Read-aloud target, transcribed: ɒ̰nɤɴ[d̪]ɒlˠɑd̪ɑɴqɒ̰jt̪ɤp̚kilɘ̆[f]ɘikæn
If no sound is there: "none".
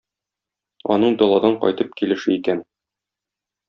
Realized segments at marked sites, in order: d̪, ʃ

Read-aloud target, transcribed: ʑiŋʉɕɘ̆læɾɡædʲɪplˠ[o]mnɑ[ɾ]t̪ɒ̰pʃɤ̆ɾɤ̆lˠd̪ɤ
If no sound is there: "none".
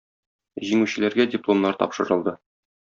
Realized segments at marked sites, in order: o, ɾ

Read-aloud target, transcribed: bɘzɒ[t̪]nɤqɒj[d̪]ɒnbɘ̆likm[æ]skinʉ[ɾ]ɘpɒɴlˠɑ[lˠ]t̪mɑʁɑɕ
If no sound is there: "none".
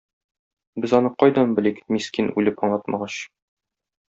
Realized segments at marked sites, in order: none, d̪, i, l, none

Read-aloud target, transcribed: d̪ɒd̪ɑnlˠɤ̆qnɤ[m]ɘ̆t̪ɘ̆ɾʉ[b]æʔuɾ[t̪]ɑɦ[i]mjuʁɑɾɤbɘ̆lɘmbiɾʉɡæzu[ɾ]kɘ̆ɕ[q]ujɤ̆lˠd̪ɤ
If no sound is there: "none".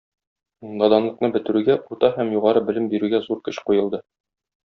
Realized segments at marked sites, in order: b, ɡ, t̪, æ, ɾ, q

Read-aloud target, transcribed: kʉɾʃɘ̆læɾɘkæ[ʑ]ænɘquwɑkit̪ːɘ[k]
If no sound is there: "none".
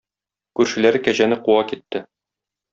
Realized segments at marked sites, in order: ʑ, none

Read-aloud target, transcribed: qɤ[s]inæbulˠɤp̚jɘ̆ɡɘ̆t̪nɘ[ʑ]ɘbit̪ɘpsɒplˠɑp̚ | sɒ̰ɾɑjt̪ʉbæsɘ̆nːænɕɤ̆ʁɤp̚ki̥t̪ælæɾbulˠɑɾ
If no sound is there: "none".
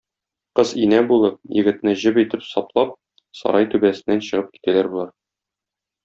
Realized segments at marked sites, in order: z, ʑ

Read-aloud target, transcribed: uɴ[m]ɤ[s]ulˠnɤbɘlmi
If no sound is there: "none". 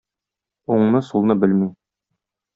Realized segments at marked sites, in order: n, s

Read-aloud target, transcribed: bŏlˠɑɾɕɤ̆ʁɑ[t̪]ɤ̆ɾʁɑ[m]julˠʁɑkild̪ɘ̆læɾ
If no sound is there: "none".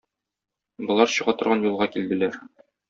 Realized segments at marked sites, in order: t̪, n

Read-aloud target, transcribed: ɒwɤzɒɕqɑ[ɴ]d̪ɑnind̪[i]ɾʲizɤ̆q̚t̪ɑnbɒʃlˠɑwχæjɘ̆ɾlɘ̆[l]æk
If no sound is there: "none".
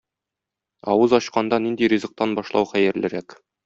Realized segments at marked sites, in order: n, i, ɾ

